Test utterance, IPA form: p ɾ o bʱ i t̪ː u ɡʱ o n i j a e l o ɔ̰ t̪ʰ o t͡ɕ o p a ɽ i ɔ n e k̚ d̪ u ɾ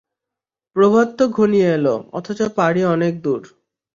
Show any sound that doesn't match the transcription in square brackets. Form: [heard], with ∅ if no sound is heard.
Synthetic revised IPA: p ɾ o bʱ [a] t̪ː [o] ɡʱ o n i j [e] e l o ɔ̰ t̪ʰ o t͡ɕ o p a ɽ i ɔ n e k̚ d̪ u ɾ

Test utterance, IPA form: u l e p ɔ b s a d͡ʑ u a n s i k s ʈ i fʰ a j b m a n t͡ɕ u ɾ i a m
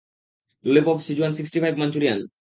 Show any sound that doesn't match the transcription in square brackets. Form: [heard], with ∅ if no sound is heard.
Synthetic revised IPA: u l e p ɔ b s [i] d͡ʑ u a n s i k s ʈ i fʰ a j b m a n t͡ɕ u ɾ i a [n]

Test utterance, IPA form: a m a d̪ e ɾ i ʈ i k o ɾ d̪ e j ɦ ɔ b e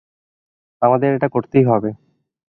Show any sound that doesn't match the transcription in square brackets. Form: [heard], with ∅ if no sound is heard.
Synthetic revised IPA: a m a d̪ e ɾ [e] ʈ [a] k o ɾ [t̪] e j ɦ ɔ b e

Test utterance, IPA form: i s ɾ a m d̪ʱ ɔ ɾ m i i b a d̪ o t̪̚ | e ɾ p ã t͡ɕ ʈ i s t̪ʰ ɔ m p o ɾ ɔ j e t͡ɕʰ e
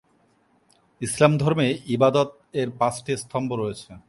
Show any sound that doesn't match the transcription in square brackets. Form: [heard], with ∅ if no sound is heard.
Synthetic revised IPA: i s [l] a m d̪ʱ ɔ ɾ m [e] i b a d̪ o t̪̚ | e ɾ p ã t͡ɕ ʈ i s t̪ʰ ɔ m [b] o ɾ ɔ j e t͡ɕʰ e

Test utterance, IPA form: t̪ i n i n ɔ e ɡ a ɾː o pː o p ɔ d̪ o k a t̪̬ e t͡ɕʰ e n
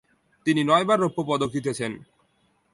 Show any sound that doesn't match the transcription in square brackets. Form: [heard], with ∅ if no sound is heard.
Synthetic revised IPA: t̪ i n i n ɔ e [b] a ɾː o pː o p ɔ d̪ o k [i] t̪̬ e t͡ɕʰ e n

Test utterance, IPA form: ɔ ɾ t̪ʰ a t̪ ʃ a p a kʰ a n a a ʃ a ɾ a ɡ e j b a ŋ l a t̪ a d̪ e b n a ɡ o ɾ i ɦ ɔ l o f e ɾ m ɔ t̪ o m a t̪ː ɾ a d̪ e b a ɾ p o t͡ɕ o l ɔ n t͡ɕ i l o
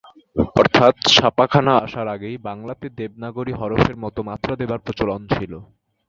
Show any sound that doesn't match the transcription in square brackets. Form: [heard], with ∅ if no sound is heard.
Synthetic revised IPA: ɔ ɾ t̪ʰ a t̪ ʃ a p a kʰ a n a a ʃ a ɾ a ɡ e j b a ŋ l a t̪ [e] d̪ e b n a ɡ o ɾ i ɦ ɔ [ɾ] o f e ɾ m ɔ t̪ o m a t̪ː ɾ a d̪ e b a ɾ p o t͡ɕ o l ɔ n [t͡ɕʰ] i l o

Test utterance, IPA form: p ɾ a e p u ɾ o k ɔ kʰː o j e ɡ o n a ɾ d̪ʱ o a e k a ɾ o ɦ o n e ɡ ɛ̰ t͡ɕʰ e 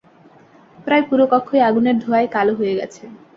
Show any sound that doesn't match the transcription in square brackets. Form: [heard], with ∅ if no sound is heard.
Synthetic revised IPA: p ɾ a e p u ɾ o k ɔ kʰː o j [a] ɡ [u] n [e] ɾ d̪ʱ o a e k a [l] o ɦ o [∅] e ɡ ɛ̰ t͡ɕʰ e

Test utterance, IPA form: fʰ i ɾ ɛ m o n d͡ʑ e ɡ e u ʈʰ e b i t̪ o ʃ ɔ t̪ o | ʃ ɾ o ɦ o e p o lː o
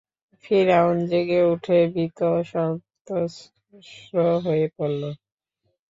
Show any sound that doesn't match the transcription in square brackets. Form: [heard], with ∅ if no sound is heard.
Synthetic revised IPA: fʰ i ɾ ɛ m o n d͡ʑ e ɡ e u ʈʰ e b i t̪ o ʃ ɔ t̪ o | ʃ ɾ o ɦ o e p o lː o

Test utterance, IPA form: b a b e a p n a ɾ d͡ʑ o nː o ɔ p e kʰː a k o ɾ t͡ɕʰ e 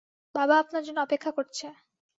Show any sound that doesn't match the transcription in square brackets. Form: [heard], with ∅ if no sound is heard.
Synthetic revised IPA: b a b [a] a p n a ɾ d͡ʑ o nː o ɔ p e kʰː a k o ɾ t͡ɕʰ e

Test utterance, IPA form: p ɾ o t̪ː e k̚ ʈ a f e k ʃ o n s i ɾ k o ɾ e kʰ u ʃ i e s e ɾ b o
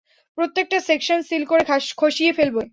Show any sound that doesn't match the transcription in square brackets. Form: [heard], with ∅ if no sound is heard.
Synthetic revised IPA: p ɾ o t̪ː e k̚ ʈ a [s] e k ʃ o n s i [l] k o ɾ e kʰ [o] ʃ i e [f] e [l] b o

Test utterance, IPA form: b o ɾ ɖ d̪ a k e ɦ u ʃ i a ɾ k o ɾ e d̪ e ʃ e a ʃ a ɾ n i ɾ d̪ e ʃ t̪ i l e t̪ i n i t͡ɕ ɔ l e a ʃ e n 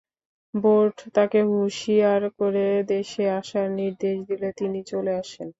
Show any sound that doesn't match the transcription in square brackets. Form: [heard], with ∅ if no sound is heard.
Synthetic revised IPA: b o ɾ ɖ [t̪] a k e ɦ u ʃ i a ɾ k o ɾ e d̪ e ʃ e a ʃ a ɾ n i ɾ d̪ e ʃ [d̪] i l e t̪ i n i t͡ɕ [o] l e a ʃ e n

